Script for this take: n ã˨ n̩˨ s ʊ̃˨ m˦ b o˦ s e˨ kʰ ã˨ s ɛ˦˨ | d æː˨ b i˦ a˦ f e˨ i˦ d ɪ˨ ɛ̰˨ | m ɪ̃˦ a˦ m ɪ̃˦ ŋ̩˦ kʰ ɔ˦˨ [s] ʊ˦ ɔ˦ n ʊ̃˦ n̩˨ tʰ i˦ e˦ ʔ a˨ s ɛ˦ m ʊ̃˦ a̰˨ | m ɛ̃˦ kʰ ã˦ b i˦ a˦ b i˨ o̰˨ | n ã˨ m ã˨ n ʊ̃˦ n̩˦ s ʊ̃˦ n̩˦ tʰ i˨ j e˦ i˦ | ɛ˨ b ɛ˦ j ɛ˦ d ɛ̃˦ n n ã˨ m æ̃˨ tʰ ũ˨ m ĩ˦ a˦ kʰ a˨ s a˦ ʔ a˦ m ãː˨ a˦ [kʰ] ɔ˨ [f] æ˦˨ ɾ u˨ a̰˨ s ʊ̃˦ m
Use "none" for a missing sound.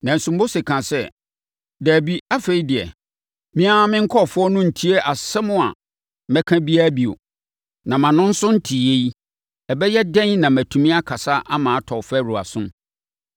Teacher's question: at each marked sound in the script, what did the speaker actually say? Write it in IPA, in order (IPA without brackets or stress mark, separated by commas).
f, tʰ, f